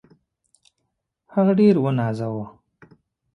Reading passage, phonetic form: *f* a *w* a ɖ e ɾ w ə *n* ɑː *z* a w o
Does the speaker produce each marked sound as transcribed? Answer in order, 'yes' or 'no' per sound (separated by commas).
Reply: no, no, yes, yes